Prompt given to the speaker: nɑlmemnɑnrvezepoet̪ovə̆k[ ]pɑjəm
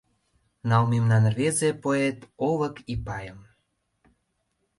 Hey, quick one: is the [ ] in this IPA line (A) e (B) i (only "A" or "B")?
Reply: B